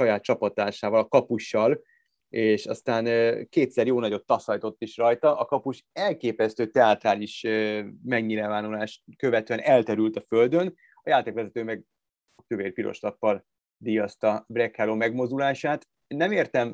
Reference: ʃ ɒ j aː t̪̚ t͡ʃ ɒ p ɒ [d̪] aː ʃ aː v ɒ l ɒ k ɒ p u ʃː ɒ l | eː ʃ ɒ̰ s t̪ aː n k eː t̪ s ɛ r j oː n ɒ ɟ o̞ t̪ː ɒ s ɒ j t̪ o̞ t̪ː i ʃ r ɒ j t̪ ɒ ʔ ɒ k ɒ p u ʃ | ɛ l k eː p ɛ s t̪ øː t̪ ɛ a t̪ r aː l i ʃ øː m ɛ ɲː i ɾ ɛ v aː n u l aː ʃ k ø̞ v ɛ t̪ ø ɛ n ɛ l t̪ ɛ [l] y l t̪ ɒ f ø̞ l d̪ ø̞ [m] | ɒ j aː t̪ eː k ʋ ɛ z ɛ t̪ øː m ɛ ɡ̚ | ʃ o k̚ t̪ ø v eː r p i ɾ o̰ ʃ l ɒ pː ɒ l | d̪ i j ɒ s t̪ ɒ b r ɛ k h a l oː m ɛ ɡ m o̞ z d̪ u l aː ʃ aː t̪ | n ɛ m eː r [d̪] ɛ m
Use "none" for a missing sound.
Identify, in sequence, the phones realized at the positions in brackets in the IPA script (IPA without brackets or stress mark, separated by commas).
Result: t̪, ɾ, n, t̪